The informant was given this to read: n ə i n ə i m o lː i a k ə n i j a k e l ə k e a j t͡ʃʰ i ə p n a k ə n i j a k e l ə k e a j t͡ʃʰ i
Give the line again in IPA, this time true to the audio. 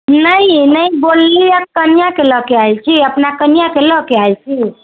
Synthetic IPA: n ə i n ə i b o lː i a k ə n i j a k e l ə k e a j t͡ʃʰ i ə p n a k ə n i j a k e l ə k e a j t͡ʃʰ i